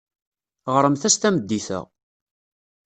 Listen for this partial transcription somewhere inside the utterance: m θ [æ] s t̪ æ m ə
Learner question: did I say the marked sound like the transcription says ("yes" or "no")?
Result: yes